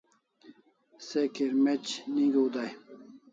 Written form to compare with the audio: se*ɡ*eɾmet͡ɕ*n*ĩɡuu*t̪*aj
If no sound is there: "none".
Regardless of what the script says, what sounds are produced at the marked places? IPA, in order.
k, n, d̪

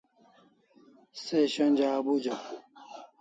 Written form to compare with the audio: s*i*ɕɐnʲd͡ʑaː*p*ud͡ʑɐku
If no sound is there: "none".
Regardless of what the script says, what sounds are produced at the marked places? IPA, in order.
e, b

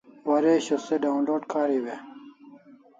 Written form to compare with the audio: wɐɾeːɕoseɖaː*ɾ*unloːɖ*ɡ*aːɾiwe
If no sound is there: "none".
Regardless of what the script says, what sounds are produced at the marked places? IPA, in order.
none, k

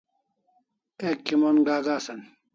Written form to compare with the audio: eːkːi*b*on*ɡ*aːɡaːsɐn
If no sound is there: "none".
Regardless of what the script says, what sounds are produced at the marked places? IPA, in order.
m, ɡ

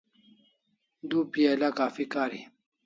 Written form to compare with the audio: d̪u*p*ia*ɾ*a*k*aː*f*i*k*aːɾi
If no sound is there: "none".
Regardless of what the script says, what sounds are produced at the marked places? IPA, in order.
p, l, k, f, k

